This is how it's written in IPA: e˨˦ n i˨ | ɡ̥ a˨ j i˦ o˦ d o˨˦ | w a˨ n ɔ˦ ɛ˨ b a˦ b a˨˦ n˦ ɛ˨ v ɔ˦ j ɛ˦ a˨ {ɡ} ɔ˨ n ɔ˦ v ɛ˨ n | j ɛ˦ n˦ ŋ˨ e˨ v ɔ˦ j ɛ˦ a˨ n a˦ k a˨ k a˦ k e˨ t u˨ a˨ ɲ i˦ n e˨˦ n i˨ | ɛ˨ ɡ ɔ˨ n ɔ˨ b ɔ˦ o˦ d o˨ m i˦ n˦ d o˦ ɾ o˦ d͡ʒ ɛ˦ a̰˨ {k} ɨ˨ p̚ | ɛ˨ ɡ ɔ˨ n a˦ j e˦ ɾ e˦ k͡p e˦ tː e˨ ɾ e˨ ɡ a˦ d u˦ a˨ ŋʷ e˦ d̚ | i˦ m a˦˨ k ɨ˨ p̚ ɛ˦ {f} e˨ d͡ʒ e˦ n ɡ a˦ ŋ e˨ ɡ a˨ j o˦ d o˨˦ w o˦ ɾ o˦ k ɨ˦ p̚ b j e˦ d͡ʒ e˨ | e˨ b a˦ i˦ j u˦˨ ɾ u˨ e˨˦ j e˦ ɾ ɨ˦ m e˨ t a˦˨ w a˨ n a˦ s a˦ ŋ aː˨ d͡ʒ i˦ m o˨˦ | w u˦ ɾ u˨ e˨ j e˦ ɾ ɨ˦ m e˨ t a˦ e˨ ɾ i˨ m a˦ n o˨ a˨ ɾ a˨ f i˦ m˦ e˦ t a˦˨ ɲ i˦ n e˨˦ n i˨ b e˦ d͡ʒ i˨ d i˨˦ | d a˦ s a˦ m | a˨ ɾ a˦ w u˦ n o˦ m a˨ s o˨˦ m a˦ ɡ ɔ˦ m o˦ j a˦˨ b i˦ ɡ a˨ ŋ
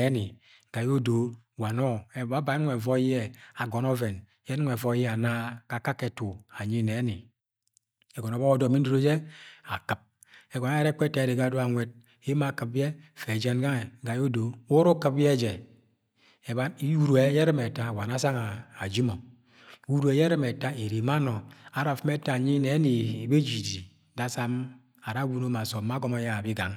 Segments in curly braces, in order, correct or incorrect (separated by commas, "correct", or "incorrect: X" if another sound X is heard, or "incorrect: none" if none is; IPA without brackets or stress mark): correct, correct, correct